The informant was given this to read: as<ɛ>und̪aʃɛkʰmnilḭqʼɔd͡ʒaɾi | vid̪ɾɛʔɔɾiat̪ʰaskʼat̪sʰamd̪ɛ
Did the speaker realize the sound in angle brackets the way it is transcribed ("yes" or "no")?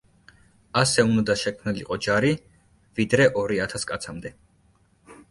yes